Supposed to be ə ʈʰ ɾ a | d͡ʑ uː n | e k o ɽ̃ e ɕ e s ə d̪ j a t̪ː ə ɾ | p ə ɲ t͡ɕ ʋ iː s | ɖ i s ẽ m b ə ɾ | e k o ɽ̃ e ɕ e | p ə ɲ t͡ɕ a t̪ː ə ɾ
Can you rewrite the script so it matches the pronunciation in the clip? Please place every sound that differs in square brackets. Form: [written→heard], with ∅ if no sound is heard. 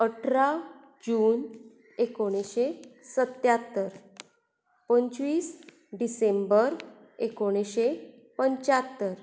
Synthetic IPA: ə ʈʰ ɾ a | d͡ʑ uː n | e k o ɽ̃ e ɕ e s ə [d̪→t̪] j a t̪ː ə ɾ | p ə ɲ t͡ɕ ʋ iː s | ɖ i s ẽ m b ə ɾ | e k o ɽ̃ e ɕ e | p ə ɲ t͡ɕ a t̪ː ə ɾ